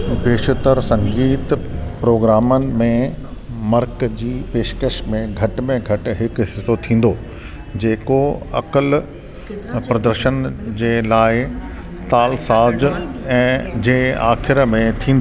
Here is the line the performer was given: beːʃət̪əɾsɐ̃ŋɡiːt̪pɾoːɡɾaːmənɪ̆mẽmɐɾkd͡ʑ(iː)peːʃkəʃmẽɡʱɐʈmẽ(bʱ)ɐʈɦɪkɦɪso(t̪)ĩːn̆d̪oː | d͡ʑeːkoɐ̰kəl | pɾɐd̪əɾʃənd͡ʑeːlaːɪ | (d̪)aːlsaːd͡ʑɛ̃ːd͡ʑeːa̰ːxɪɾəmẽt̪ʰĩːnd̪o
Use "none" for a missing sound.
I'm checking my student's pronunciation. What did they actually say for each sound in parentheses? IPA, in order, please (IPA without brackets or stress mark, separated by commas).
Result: iː, ɡʱ, t̪ʰ, t̪